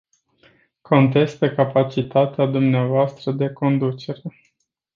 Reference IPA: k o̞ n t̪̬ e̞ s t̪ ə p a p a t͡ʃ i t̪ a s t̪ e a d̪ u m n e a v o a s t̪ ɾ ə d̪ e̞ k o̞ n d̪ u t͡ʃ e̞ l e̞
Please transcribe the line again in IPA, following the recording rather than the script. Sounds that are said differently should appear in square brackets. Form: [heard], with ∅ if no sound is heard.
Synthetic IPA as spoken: k o̞ n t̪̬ e̞ s t̪ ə [k] a p a t͡ʃ i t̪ a [∅] t̪ e a d̪ u m n e a v o a s t̪ ɾ ə d̪ e̞ k o̞ n d̪ u t͡ʃ e̞ [ɾ] e̞

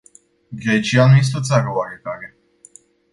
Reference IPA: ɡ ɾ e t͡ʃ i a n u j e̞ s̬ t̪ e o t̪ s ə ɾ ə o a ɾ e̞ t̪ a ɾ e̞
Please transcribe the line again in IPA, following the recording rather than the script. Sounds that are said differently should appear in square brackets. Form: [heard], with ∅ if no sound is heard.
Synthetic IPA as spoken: ɡ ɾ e t͡ʃ i a n u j e̞ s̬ t̪ e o t̪ s [a] ɾ ə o a ɾ e̞ t̪ a ɾ e̞

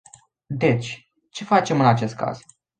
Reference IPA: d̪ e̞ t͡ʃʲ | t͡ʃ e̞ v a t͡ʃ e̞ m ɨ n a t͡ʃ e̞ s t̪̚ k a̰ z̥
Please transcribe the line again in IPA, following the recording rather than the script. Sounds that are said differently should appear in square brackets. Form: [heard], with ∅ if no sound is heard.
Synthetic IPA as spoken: d̪ e̞ t͡ʃʲ | t͡ʃ e̞ [f] a t͡ʃ e̞ m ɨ n a t͡ʃ e̞ s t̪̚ k a̰ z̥

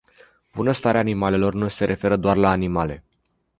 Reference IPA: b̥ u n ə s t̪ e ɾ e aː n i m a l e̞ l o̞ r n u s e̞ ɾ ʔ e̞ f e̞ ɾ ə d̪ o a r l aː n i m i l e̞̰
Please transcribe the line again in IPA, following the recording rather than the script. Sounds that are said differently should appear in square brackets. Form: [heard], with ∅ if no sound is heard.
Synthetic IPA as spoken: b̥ u n ə s t̪ [a] ɾ e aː n i m a l e̞ l o̞ r n u s e̞ ɾ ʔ e̞ f e̞ ɾ ə d̪ o a r l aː n i m [a] l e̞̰

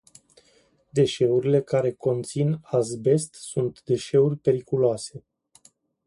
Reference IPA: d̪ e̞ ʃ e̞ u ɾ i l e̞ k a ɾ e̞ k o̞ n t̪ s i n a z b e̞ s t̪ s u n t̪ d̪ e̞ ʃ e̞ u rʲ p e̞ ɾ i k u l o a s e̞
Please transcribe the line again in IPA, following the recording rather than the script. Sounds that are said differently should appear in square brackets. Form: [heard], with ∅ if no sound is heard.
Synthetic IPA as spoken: d̪ e̞ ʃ e̞ u ɾ i l e̞ k a ɾ e̞ k o̞ n t̪ s i n a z b e̞ s t̪ s u n t̪ d̪ e̞ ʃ e̞ u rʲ p e̞ ɾ i k u l o a s e̞

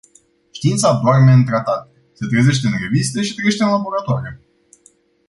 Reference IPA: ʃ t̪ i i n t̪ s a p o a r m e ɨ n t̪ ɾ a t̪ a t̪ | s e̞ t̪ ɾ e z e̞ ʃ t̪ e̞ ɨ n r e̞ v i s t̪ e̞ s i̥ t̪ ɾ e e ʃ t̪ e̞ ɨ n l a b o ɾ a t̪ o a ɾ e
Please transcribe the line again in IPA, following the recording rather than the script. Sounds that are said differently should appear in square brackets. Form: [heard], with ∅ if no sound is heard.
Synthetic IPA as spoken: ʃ t̪ i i n t̪ s a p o a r m e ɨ n t̪ ɾ a t̪ a t̪ | s e̞ t̪ ɾ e z e̞ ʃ t̪ e̞ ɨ n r e̞ v i s t̪ e̞ [ʃ] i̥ t̪ ɾ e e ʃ t̪ e̞ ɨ n l a b o ɾ a t̪ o a ɾ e

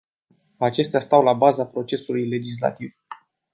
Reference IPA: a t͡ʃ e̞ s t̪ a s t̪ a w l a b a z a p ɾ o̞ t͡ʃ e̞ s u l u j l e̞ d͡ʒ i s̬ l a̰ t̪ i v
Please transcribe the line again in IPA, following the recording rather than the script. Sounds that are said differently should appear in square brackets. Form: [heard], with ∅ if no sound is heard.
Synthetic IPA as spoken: a t͡ʃ e̞ s t̪ a s t̪ a w l a b a z a p ɾ o̞ t͡ʃ e̞ s u l u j l e̞ d͡ʒ i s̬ l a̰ t̪ i v

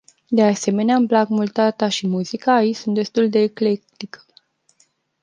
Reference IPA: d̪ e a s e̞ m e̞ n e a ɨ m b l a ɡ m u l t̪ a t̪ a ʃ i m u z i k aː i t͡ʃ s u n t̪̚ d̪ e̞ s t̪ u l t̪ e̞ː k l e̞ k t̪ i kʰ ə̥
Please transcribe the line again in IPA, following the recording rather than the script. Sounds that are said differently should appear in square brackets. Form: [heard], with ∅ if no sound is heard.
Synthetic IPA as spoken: d̪ e a s e̞ m e̞ n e a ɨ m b l a ɡ m u l t̪ a t̪ a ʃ i m u z i k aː i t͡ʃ s u n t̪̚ d̪ e̞ s t̪ u l [d̪] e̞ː k l e̞ k t̪ i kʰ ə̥

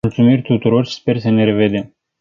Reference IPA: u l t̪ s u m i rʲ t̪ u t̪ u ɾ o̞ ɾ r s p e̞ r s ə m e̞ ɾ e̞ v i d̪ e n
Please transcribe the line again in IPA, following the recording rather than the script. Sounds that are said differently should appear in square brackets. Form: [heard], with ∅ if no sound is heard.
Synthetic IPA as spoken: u l t̪ s u m i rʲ t̪ u t̪ u ɾ o̞ [∅] r s p e̞ r s ə [n] e̞ ɾ e̞ v [e] d̪ e [m]

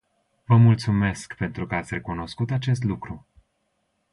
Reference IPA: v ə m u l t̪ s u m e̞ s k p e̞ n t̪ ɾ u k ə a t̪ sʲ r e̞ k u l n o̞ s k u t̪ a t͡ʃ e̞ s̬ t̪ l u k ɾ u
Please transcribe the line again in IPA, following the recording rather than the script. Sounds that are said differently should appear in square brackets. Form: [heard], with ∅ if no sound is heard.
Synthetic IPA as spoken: v ə m u l t̪ s u m e̞ s k p e̞ n t̪ ɾ u k ə a t̪ sʲ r e̞ k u [∅] n o̞ s k u t̪ a t͡ʃ e̞ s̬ t̪ l u k ɾ u

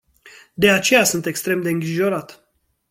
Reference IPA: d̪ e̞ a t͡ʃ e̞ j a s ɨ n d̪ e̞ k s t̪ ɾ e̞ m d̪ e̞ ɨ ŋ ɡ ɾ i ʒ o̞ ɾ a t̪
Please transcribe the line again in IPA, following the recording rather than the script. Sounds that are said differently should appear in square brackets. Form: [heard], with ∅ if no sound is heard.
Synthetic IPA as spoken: d̪ e̞ a t͡ʃ e̞ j a s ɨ n [t̪] e̞ k s t̪ ɾ e̞ m d̪ e̞ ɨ ŋ ɡ ɾ i ʒ o̞ ɾ a t̪

